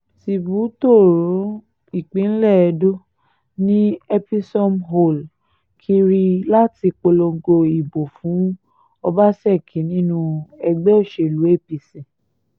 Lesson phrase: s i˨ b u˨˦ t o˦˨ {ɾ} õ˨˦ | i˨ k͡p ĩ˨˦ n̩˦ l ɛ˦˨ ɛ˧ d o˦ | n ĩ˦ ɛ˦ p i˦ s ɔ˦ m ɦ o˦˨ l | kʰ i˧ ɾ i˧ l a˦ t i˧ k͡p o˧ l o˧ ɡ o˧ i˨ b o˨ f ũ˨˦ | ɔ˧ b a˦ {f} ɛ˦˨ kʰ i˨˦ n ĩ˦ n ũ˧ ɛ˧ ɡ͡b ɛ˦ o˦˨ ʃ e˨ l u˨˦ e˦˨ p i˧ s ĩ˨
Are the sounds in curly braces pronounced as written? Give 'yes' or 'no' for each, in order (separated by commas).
yes, no